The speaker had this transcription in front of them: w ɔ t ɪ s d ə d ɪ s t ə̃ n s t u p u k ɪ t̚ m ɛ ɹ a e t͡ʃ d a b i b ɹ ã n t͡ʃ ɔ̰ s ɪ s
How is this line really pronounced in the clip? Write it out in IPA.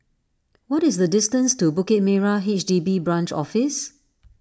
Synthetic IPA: w ɔ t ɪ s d ə d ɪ s t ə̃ n s t u b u k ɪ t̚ m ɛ ɹ a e t͡ʃ d i b i b ɹ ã n t͡ʃ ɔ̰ f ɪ s